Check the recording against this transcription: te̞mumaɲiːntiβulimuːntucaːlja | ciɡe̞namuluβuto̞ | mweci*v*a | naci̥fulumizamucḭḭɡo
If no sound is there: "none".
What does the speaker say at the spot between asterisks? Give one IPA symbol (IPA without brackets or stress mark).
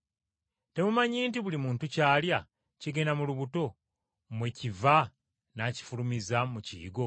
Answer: v